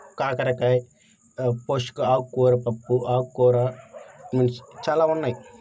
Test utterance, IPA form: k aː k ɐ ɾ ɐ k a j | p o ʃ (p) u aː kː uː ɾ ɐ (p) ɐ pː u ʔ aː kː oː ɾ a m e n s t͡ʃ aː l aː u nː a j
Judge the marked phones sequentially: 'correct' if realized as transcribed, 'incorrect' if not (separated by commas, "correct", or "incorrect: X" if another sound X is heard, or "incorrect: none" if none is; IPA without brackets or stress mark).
incorrect: k, correct